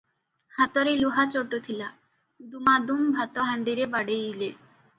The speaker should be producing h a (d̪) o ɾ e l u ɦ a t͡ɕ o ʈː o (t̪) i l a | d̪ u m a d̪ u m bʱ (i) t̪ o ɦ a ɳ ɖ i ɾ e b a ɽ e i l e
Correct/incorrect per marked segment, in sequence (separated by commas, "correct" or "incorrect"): incorrect, incorrect, incorrect